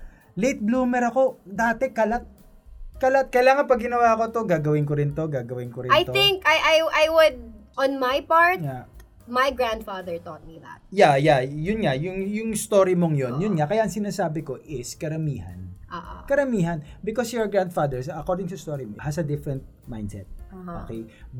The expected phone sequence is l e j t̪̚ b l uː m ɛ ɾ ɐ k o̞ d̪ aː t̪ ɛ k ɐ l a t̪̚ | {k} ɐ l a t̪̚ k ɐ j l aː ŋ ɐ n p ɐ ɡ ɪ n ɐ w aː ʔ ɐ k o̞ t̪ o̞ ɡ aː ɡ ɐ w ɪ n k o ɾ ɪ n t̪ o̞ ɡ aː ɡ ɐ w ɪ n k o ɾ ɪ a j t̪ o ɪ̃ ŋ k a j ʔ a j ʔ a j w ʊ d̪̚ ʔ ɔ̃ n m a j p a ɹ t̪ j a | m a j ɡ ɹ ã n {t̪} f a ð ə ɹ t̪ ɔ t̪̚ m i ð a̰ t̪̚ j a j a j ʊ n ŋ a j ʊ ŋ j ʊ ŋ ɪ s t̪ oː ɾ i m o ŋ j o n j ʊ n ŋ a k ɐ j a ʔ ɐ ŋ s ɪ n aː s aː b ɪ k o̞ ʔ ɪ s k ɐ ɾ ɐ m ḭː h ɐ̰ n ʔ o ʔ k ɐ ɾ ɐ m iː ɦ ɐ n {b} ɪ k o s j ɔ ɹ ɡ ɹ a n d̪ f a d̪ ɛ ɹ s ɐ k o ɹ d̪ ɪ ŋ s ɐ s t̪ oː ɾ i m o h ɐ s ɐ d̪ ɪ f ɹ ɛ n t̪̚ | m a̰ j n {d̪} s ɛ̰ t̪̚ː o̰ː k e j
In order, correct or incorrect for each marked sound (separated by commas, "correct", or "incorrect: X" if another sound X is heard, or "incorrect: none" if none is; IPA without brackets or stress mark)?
correct, incorrect: d̪, correct, correct